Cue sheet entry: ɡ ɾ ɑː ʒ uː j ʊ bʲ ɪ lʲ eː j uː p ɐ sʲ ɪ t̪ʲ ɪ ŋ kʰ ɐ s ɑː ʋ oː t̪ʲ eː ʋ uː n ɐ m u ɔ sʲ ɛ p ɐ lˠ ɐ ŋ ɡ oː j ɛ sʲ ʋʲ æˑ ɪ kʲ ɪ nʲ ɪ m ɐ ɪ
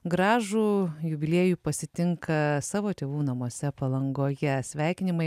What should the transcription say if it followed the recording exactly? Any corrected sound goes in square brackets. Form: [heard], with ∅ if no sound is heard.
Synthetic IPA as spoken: ɡ ɾ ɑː ʒ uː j ʊ bʲ ɪ lʲ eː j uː p ɐ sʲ ɪ t̪ʲ ɪ ŋ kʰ ɐ s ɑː ʋ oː t̪ʲ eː ʋ uː n ɐ m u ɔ sʲ ɛ p ɐ lˠ ɐ ŋ ɡ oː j ɛ sʲ ʋʲ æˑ ɪ kʲ ɪ nʲ ɪ m ɐ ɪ